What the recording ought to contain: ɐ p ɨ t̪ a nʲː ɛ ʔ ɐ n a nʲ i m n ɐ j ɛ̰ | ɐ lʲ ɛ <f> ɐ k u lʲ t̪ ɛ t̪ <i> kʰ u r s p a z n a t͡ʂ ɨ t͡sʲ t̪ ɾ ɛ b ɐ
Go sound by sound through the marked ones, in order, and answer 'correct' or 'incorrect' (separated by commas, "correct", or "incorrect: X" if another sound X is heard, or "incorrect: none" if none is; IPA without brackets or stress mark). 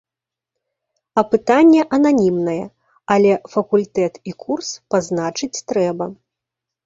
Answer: correct, correct